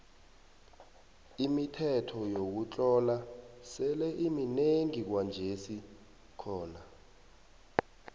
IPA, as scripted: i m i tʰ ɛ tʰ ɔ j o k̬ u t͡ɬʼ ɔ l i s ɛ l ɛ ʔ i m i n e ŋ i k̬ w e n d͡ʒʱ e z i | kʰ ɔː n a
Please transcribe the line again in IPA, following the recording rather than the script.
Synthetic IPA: i m i tʰ ɛ tʰ ɔ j o k̬ u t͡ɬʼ ɔ l a s ɛ l ɛ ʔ i m i n e ŋ i k̬ w a n d͡ʒʱ e s i | kʰ ɔː n a